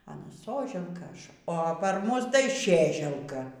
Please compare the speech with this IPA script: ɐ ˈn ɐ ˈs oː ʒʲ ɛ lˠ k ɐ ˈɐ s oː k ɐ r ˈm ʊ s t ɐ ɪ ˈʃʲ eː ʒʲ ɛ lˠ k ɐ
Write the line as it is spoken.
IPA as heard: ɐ ˈn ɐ ˈs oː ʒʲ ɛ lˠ k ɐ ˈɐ ʃ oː p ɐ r ˈm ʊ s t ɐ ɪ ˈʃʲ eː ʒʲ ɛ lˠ k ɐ